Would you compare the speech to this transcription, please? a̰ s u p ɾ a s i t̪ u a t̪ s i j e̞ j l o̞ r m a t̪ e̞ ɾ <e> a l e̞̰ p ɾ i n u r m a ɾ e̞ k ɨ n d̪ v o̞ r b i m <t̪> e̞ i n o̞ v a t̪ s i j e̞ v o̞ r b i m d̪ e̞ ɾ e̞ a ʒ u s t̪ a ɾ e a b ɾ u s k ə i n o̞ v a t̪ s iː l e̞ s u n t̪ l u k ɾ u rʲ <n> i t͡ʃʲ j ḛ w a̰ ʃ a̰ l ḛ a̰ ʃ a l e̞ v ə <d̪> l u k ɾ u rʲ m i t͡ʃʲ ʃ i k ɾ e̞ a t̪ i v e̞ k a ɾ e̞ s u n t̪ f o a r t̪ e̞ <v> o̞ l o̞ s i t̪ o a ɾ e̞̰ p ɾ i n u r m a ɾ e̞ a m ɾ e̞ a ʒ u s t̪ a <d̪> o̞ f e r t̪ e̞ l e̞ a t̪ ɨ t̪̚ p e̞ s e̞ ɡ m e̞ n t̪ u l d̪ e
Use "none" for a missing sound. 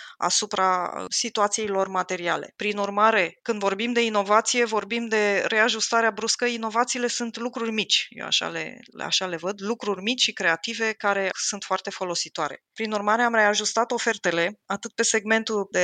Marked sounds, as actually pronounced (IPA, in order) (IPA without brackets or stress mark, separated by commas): i, d̪, m, d̪, f, t̪